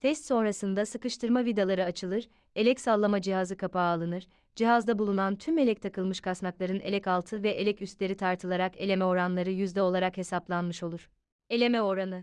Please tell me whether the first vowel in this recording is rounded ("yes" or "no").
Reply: no